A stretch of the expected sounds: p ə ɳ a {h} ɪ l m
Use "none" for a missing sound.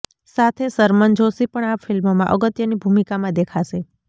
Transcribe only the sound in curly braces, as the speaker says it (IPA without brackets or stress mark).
f